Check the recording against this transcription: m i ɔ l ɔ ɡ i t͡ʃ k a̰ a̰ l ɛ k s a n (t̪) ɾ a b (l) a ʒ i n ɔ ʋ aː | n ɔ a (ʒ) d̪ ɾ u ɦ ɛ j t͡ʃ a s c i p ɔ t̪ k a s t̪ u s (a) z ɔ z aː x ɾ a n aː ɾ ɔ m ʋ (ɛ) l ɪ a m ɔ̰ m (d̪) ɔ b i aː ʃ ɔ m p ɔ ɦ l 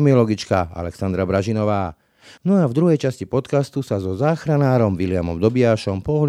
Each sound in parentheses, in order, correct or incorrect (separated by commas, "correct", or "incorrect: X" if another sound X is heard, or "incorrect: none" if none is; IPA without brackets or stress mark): incorrect: d̪, incorrect: ɾ, incorrect: v, correct, incorrect: i, correct